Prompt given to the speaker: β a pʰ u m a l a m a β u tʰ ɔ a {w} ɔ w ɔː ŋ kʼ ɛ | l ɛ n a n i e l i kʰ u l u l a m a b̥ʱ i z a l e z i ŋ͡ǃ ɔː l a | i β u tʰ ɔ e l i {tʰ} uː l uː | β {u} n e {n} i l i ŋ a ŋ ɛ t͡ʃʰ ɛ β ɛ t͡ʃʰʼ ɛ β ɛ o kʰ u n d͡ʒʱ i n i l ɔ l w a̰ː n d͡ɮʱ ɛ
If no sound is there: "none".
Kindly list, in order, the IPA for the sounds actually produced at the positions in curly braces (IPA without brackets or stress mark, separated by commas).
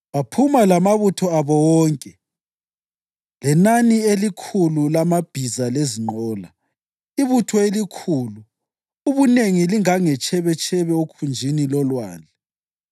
β, kʰ, u, ŋ